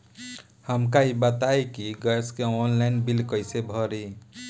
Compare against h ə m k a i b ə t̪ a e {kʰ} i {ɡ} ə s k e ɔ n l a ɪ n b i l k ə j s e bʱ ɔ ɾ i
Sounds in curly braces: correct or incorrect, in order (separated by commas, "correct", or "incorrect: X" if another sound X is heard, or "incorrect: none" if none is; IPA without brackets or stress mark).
incorrect: k, correct